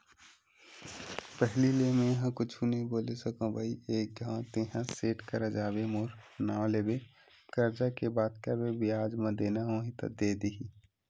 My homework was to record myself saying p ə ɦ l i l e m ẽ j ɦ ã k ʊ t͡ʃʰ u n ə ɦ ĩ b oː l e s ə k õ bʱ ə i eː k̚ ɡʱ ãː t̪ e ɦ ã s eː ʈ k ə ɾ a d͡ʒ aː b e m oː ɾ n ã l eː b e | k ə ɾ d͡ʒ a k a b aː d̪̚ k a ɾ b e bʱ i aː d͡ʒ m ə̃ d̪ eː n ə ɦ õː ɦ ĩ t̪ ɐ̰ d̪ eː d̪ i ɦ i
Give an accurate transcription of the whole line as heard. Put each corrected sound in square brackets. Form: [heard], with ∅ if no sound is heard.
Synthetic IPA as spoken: p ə ɦ l i l e m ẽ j ɦ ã k ʊ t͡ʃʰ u n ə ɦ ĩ b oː l e s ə k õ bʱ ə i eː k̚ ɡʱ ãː t̪ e ɦ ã s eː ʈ k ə ɾ a d͡ʒ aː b e m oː ɾ n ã l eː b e | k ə ɾ d͡ʒ a k [e] b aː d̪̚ k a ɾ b e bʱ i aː d͡ʒ m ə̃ d̪ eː n [a] ɦ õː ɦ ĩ t̪ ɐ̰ d̪ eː d̪ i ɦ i